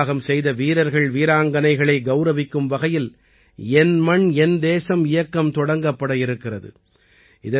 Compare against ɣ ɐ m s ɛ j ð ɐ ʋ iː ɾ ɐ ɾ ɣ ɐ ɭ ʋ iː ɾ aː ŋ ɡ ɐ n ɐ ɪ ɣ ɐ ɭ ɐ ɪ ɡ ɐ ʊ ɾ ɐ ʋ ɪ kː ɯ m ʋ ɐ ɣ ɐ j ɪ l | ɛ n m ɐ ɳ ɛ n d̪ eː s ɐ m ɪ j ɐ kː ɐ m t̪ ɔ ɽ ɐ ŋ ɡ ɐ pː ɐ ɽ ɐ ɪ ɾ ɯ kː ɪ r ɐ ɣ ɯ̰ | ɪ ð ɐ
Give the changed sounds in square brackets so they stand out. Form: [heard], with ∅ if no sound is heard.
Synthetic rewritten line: ɣ ɐ m s ɛ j ð ɐ ʋ iː ɾ ɐ ɾ ɣ ɐ ɭ ʋ iː ɾ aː ŋ ɡ ɐ n ɐ ɪ ɣ ɐ ɭ ɐ ɪ ɡ ɐ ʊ ɾ ɐ ʋ ɪ kː ɯ m ʋ ɐ ɣ ɐ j ɪ l | ɛ n m ɐ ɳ ɛ n d̪ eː s ɐ m ɪ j ɐ kː ɐ m t̪ ɔ ɽ ɐ ŋ ɡ ɐ pː ɐ ɽ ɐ ɪ ɾ ɯ kː ɪ r ɐ [ð] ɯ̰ | ɪ ð ɐ